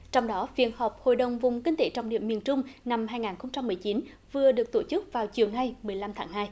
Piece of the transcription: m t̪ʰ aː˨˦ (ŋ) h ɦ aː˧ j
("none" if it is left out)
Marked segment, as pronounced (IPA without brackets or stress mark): ŋ